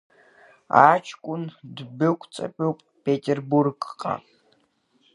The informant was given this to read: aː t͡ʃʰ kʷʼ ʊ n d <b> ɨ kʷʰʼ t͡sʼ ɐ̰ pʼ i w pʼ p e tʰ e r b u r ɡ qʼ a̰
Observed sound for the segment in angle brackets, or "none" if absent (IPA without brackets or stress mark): b